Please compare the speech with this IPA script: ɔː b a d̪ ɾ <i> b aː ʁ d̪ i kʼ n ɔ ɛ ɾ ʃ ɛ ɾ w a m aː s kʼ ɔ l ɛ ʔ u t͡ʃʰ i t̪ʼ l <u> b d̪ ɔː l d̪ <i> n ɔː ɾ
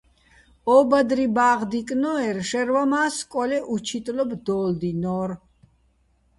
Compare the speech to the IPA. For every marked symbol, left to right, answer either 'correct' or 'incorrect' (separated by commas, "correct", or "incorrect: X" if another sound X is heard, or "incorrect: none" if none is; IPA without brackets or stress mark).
correct, incorrect: ɔ, correct